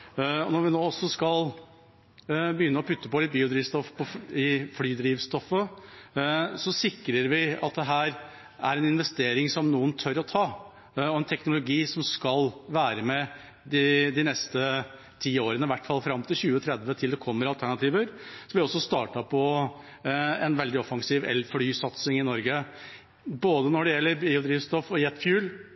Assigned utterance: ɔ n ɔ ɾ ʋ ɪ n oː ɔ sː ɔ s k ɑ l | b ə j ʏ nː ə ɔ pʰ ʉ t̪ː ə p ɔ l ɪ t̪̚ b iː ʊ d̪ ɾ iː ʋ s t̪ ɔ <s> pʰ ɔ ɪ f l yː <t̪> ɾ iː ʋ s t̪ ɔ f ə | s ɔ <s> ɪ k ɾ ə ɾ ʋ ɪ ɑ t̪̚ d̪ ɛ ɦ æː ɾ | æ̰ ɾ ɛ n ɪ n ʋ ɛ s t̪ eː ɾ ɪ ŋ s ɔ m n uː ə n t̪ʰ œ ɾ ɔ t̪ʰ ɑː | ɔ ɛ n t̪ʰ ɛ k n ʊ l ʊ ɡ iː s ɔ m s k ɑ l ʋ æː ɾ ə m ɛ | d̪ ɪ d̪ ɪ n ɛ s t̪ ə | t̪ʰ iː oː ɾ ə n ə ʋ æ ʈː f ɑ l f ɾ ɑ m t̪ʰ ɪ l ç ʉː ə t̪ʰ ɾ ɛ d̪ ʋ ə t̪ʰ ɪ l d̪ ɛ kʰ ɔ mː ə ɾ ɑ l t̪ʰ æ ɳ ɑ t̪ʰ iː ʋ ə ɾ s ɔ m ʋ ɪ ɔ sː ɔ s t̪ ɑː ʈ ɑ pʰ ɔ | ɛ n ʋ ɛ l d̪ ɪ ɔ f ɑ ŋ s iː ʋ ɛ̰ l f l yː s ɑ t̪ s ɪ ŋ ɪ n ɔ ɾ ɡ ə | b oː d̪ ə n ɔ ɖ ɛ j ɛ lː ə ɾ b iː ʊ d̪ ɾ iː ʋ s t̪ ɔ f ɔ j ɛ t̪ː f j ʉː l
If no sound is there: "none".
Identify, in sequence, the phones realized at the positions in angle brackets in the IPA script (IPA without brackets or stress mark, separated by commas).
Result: f, d̪, s